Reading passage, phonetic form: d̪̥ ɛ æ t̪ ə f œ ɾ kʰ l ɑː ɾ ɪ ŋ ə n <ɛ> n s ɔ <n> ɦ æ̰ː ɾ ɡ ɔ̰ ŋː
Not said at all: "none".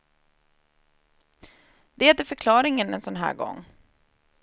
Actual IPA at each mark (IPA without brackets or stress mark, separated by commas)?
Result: ɛ, n